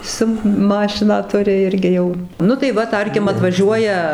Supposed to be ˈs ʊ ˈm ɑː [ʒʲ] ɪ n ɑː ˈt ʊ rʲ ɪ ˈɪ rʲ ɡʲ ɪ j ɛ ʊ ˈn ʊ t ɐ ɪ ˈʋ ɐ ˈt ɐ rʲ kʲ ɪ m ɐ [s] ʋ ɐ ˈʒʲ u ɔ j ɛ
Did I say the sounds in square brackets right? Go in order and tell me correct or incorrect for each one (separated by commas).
incorrect, incorrect